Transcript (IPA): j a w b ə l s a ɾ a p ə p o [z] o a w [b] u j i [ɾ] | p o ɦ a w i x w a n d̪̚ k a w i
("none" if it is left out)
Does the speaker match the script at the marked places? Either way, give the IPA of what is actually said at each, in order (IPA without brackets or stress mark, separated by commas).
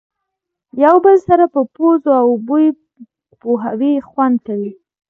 z, b, none